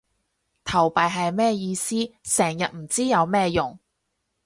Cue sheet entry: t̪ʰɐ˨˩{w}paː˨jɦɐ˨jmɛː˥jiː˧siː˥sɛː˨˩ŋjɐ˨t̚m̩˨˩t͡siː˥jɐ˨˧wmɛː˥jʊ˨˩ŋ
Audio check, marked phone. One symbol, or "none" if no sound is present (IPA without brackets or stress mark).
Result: w